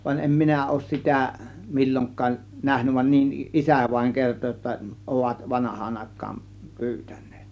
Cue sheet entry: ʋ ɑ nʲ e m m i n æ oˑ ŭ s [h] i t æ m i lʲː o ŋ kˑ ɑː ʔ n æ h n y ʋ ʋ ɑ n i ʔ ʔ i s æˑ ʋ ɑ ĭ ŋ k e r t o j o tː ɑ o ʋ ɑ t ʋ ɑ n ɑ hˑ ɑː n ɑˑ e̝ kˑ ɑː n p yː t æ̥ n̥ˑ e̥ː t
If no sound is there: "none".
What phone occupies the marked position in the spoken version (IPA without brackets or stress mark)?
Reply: s